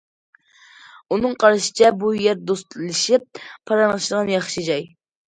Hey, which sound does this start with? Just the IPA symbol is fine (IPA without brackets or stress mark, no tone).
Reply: u